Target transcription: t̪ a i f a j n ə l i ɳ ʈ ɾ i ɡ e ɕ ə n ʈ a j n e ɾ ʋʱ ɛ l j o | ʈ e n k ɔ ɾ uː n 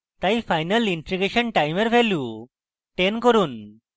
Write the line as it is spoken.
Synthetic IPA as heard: t̪ a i f a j n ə l i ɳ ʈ ɾ i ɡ e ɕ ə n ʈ a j m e ɾ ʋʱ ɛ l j u | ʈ e n k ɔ ɾ uː n